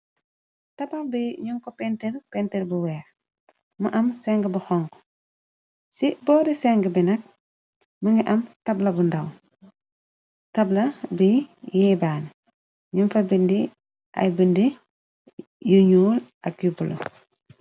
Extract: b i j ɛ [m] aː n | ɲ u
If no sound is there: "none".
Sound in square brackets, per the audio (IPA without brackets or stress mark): b